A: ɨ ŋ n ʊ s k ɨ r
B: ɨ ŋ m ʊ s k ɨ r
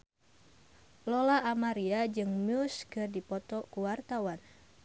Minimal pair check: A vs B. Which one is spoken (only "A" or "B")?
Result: B